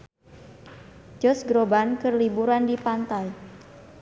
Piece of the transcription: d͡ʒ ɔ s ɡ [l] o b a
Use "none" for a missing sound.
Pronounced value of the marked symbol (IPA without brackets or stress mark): ɾ